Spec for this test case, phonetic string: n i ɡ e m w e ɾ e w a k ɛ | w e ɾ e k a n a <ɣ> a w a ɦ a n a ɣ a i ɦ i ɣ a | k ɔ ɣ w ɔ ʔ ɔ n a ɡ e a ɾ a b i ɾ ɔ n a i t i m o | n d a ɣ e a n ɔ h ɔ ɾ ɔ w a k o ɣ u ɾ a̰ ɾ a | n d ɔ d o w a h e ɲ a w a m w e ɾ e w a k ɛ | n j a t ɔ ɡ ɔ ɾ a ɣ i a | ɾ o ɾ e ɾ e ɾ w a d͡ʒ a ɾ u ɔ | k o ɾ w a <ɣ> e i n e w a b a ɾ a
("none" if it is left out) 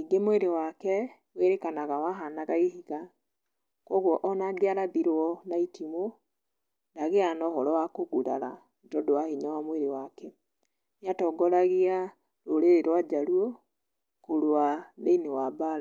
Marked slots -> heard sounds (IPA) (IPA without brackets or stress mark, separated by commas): ɣ, ð